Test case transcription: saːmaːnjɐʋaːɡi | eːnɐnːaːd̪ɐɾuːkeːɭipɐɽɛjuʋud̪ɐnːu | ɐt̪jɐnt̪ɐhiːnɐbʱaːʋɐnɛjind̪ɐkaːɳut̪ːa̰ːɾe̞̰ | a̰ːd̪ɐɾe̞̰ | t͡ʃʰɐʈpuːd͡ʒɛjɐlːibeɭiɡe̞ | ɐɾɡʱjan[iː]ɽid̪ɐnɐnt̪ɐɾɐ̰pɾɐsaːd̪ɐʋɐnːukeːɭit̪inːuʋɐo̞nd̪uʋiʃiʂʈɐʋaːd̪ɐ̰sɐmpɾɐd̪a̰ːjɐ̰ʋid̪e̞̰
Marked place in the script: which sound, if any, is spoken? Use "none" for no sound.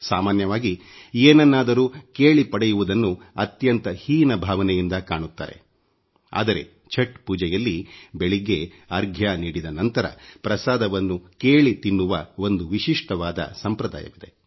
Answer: iː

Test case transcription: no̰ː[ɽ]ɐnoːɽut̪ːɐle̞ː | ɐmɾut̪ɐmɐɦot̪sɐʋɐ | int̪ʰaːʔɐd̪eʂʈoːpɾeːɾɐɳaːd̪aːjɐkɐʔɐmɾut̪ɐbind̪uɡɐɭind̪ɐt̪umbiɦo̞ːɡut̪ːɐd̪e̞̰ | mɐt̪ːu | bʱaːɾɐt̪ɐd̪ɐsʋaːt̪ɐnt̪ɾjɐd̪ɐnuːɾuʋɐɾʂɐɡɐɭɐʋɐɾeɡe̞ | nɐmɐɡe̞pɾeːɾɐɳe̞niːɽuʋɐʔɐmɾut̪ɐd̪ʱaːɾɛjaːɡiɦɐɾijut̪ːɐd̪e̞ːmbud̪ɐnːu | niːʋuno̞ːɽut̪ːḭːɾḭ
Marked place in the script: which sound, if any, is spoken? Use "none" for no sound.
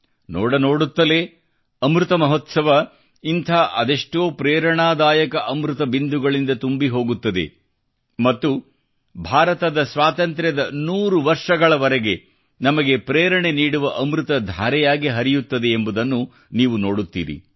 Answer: ɽ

